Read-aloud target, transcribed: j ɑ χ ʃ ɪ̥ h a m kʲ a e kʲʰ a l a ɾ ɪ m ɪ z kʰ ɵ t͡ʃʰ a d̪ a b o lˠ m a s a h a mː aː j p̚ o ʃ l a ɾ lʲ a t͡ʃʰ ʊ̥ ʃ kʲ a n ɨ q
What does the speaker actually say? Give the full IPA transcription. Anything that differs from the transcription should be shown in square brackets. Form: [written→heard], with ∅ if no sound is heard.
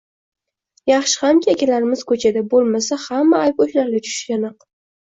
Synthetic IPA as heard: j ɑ χ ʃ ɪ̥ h a m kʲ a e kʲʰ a l a ɾ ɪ m ɪ z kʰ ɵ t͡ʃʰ a d̪ a b o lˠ m a s a h a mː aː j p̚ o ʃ l a ɾ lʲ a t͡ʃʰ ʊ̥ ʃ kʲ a n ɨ q